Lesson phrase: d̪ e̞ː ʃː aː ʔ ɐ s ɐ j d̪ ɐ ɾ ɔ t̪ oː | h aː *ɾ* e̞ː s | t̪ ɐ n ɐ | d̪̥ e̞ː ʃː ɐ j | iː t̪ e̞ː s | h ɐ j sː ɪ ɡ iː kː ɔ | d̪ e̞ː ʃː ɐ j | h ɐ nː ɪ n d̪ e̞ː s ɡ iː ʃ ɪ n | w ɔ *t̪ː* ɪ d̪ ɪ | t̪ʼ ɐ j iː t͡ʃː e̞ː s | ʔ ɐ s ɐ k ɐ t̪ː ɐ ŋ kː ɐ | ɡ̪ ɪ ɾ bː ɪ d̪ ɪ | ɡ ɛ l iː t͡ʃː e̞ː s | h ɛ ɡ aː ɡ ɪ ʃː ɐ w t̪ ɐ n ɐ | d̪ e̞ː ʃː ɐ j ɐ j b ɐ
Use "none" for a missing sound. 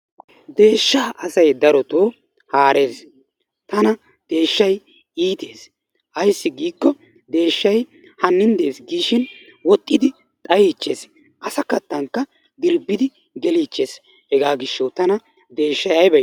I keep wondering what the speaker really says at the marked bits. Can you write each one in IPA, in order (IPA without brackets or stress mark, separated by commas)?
ɾ, t̪ʼː